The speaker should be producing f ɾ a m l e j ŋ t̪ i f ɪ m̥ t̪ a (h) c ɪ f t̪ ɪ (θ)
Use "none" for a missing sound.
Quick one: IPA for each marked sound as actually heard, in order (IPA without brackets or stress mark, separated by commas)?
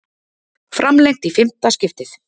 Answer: s, θ